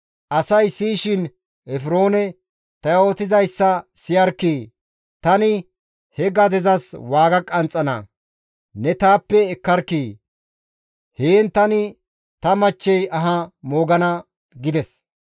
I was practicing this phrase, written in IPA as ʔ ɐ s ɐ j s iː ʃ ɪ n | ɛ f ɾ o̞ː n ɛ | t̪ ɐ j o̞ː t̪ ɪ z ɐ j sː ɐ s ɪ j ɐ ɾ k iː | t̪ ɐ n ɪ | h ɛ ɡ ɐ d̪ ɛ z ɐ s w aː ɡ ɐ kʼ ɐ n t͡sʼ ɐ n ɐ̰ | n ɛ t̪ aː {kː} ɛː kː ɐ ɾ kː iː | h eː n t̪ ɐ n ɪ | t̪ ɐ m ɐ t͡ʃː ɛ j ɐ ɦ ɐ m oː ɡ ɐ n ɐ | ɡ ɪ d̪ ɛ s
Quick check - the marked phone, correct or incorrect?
incorrect